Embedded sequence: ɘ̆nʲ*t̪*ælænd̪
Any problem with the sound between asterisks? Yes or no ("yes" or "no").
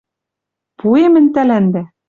no